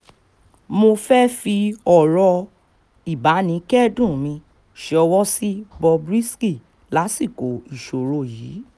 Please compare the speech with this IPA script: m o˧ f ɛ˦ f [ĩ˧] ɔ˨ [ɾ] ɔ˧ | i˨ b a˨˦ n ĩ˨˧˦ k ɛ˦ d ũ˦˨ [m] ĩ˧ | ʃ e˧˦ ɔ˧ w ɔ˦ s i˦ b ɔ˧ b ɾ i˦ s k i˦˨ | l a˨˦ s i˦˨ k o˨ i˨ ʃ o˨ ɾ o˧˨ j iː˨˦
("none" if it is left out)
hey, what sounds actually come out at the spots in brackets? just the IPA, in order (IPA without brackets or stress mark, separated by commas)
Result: i˧, ɾ, m